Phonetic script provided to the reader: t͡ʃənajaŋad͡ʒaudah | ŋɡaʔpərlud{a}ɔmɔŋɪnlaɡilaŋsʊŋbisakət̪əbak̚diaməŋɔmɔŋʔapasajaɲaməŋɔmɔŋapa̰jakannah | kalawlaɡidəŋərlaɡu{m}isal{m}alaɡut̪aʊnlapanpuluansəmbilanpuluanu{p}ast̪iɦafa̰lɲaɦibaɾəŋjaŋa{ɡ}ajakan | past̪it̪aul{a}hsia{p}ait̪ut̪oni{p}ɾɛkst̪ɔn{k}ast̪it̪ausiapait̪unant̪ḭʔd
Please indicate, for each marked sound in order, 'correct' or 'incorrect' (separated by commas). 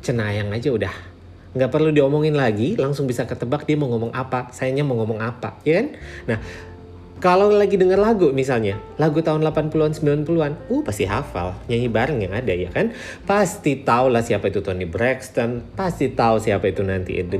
incorrect, correct, incorrect, correct, incorrect, correct, correct, incorrect, incorrect